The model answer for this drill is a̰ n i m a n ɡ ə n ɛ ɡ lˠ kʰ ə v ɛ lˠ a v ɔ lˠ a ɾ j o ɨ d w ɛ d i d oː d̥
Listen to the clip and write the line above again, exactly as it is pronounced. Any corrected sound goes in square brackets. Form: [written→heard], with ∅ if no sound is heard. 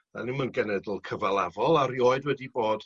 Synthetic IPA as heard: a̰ n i m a n ɡ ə n ɛ [ɡ→d] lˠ kʰ ə v [ɛ→a] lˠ a v ɔ lˠ a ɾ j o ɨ d w ɛ d i [d→b] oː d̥